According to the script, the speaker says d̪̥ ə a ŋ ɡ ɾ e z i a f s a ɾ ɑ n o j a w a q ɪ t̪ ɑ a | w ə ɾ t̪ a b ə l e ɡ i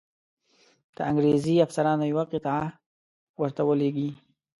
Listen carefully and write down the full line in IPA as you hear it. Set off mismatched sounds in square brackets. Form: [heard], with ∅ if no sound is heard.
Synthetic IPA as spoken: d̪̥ ə a ŋ ɡ ɾ e z i a f s a ɾ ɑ n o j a w a q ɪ t̪ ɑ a | w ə ɾ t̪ a [w] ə l e ɡ i